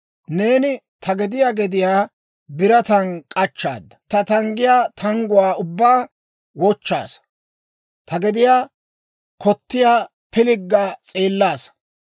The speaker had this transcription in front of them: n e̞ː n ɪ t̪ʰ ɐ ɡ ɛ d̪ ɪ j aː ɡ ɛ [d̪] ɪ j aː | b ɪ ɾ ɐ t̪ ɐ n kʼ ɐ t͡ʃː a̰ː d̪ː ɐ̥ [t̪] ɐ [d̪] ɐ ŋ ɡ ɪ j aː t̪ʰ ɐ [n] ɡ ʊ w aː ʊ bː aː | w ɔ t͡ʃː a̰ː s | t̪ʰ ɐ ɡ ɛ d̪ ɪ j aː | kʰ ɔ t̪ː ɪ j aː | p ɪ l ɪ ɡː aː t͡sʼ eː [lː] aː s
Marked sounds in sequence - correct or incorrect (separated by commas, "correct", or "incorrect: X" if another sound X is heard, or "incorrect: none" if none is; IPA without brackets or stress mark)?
correct, correct, incorrect: t̪, incorrect: ŋ, correct